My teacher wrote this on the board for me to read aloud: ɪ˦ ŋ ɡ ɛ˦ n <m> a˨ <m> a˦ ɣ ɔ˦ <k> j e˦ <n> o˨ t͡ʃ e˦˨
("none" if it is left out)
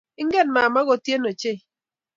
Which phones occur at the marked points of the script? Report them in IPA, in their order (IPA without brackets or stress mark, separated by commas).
m, m, t, n